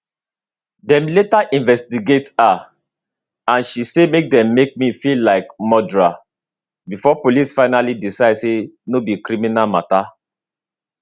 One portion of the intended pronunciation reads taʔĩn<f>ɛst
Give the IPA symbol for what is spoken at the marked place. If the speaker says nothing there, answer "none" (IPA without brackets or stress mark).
v